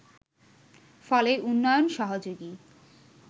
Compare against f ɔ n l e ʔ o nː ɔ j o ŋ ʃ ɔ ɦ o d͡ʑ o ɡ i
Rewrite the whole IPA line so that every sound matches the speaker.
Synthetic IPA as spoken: f ɔ l e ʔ u nː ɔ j o n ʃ ɔ ɦ o d͡ʑ o ɡ i

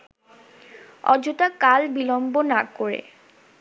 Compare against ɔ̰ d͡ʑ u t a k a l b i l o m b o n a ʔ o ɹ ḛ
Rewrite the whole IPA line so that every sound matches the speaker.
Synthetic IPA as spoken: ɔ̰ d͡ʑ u t a k a l b i l ɔ m b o n a k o ɹ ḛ

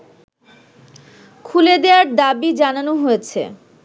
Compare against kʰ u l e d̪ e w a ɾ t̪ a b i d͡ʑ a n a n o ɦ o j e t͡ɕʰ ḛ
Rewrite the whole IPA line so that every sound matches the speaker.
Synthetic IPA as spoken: kʰ u l e d̪ e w a ɾ d̪ a b i d͡ʑ a n a n o ɦ o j e t͡ɕʰ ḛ

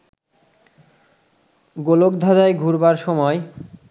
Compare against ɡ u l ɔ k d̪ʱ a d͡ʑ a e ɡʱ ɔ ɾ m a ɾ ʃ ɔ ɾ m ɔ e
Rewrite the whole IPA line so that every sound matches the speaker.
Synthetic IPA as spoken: ɡ o l o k d̪ʱ a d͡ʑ a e ɡʱ u ɾ b a ɾ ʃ ɔ m ɔ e

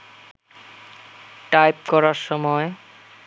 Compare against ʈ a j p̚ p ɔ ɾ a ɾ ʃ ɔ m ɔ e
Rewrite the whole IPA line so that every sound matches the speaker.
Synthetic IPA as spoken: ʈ a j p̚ k ɔ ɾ a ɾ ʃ ɔ m ɔ e

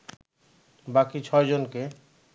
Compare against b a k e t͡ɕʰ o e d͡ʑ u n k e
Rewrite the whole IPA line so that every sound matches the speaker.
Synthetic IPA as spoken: b a k i t͡ɕʰ ɔ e d͡ʑ o n k e

